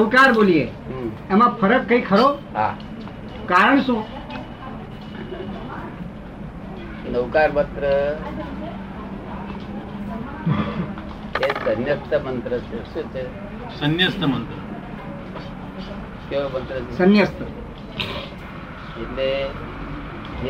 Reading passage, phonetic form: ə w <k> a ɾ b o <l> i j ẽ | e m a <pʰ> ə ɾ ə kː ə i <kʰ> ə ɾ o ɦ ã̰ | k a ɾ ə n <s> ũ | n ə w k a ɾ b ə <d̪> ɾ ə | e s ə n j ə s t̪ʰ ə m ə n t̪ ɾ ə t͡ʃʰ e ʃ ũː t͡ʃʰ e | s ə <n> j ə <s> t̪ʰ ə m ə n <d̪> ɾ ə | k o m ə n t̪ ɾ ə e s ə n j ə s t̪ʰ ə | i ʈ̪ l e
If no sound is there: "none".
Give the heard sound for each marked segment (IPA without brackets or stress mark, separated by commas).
k, l, pʰ, kʰ, s, t̪, n, s, t̪